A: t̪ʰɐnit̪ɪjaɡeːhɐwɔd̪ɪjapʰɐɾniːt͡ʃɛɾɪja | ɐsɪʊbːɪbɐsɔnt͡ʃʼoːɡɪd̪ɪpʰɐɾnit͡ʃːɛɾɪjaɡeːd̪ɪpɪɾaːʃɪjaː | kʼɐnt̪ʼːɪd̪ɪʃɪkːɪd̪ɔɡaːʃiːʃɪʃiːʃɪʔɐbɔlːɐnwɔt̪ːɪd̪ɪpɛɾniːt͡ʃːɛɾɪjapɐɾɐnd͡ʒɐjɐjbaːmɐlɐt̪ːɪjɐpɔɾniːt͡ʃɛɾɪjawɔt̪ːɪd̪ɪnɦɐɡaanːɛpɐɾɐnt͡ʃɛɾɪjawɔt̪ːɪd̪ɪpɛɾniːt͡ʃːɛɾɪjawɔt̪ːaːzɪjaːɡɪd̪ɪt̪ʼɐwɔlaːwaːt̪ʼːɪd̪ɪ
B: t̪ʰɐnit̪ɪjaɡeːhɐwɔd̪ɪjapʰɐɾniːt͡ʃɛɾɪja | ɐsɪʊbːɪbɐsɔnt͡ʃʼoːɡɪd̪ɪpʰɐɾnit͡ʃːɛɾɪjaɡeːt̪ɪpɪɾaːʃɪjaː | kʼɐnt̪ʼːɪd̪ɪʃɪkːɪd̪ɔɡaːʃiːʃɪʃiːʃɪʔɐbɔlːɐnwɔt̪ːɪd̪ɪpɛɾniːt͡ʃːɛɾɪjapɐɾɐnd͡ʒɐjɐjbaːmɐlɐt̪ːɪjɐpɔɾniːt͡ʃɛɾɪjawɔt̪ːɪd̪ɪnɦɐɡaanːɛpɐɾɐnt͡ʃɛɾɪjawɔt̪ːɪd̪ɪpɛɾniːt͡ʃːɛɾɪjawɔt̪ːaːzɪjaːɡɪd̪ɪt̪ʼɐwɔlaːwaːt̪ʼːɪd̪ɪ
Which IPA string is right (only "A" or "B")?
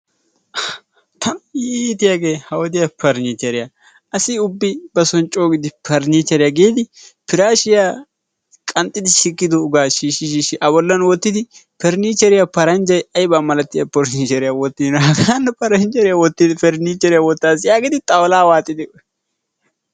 A